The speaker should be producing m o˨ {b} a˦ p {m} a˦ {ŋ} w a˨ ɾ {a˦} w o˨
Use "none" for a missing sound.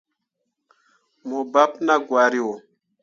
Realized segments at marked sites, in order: b, n, ɡ, i˦

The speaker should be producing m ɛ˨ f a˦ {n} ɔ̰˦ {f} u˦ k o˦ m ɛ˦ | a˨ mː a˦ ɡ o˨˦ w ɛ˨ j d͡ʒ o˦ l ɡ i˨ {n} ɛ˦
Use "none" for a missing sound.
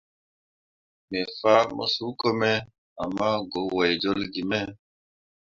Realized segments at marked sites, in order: m, s, m

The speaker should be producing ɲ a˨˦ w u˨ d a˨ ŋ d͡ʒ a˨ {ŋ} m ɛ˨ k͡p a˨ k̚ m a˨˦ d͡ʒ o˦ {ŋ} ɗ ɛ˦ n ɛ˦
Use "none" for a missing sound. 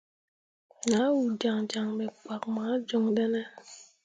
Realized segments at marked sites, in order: ŋ, ŋ

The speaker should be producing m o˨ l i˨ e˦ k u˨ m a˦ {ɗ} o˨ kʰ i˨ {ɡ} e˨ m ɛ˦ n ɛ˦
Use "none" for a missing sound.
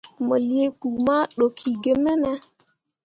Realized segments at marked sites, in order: ɗ, ɡ

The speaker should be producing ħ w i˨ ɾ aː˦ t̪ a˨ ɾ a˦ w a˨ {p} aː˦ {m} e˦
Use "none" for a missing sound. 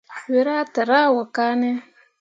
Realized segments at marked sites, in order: k, n

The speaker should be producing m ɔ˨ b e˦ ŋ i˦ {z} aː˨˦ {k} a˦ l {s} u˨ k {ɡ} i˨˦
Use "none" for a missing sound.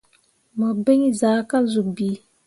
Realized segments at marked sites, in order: z, k, z, b

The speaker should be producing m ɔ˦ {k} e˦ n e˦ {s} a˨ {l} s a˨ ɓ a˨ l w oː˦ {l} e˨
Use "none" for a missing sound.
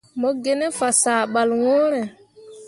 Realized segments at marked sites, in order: ɡ, f, none, ɾ

